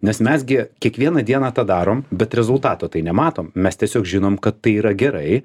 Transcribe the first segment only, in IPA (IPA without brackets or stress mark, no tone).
nʲ